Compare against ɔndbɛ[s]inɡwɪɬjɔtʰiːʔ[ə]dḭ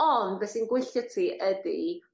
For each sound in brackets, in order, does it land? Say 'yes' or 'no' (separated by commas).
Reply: yes, yes